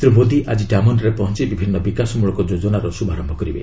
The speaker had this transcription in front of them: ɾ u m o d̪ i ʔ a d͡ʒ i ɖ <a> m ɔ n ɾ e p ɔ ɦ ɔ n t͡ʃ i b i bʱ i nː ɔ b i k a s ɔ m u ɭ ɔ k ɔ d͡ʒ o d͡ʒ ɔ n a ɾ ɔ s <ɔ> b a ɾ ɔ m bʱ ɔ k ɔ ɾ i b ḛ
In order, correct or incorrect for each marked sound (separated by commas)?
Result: correct, incorrect